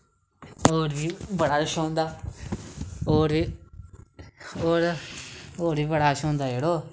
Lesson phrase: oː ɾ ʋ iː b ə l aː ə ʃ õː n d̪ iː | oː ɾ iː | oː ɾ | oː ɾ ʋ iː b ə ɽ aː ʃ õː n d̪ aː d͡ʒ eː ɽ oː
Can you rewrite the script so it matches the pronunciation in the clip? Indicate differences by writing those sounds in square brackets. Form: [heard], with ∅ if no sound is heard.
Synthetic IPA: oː ɾ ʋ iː b ə [ɽ] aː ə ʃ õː n d̪ [aː] | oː ɾ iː | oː ɾ | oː ɾ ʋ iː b ə ɽ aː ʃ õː n d̪ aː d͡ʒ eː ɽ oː

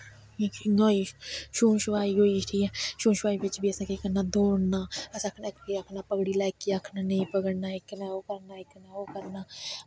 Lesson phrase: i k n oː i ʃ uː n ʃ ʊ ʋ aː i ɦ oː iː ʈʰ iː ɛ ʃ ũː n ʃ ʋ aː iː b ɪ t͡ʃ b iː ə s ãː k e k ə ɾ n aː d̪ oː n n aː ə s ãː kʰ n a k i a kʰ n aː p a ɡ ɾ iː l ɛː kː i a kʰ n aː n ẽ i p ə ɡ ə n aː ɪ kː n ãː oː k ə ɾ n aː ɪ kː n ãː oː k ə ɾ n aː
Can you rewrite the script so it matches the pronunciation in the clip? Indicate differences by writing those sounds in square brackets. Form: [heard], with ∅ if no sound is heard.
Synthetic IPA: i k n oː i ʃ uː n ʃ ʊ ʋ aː i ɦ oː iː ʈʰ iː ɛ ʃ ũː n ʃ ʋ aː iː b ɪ t͡ʃ b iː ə s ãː k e k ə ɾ n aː d̪ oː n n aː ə s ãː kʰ n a k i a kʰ n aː p [ə] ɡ [ɽ] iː l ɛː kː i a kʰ n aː n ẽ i p ə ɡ ə n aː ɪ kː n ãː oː k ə ɾ n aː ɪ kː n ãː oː k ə ɾ n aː

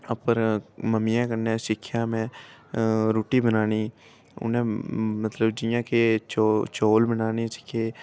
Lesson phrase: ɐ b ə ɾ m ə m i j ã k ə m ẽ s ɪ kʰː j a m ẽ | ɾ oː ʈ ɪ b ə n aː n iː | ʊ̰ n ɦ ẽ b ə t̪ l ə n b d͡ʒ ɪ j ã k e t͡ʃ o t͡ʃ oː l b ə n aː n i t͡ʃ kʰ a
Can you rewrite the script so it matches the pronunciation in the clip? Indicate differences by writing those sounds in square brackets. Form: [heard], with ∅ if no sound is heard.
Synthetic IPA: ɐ [p] ə ɾ m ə m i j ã k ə [n] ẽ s ɪ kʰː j a m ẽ | ɾ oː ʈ [i] b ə n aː n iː | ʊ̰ n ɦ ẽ [m] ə t̪ l ə [∅] b d͡ʒ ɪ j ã k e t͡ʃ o t͡ʃ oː l b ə n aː n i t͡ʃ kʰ [e]

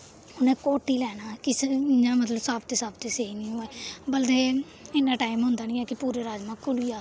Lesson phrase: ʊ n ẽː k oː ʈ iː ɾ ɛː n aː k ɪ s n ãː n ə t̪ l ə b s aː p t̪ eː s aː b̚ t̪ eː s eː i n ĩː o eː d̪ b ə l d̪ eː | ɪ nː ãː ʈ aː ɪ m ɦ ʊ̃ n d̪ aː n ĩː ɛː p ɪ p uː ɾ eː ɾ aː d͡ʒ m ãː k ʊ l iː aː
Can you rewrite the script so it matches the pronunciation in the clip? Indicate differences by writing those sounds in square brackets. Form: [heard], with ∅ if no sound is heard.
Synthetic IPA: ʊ n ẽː k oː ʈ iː [l] ɛː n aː k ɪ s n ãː [m] ə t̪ l ə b s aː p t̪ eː s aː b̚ t̪ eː s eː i n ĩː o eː [∅] b ə l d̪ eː | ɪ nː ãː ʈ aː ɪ m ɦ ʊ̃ n d̪ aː n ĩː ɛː [k] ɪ p uː ɾ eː ɾ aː d͡ʒ m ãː k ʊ l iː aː

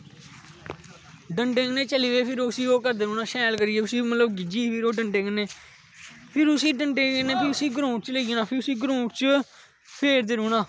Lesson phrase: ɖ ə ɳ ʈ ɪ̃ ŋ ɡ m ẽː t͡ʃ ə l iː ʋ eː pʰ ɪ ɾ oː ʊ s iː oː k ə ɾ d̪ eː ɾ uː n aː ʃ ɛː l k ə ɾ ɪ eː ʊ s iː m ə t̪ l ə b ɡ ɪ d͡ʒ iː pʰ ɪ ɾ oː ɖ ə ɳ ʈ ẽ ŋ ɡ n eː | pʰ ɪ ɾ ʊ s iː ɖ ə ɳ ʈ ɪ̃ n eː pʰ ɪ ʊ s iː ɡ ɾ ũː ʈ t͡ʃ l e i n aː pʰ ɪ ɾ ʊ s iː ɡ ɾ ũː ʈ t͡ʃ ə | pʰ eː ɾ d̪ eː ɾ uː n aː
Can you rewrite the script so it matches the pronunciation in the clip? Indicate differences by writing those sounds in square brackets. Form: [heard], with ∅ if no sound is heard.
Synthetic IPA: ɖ ə ɳ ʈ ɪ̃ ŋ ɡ [n] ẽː t͡ʃ ə l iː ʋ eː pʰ ɪ ɾ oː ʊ s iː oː k ə ɾ d̪ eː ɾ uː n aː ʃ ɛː l k ə ɾ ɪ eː ʊ s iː m ə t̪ l ə b ɡ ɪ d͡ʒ iː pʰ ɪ ɾ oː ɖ ə ɳ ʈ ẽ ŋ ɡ n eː | pʰ ɪ ɾ ʊ s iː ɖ ə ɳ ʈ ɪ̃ n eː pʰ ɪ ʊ s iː ɡ ɾ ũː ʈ t͡ʃ l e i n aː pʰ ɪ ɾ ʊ s iː ɡ ɾ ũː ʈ t͡ʃ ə | pʰ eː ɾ d̪ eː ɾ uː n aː

